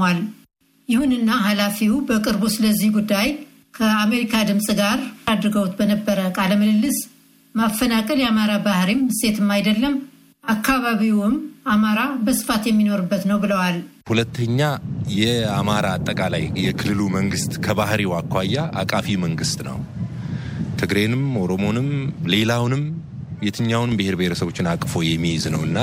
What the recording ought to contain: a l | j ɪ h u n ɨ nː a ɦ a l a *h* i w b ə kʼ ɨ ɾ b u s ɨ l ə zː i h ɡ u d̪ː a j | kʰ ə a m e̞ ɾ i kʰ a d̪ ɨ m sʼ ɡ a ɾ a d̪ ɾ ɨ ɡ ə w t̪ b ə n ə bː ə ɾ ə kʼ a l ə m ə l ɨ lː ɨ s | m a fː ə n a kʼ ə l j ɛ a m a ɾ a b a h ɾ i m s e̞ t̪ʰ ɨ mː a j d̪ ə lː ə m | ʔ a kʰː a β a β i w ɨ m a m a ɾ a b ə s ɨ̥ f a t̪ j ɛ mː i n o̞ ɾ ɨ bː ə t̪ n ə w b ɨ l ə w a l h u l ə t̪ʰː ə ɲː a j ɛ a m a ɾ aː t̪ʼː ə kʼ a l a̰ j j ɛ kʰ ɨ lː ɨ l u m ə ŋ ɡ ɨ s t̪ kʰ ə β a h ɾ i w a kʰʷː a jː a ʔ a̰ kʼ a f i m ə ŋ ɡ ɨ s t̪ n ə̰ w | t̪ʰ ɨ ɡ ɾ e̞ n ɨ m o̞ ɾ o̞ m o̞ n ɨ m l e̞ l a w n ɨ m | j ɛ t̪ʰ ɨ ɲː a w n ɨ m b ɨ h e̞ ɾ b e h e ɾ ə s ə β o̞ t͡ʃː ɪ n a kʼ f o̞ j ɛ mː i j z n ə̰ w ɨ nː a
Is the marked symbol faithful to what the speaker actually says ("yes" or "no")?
no